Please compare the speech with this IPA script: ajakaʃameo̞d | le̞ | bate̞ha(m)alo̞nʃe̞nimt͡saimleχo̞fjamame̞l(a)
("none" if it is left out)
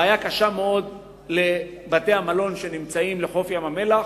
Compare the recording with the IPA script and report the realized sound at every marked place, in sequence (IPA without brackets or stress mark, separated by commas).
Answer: m, a